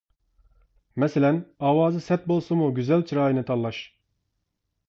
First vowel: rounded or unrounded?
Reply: unrounded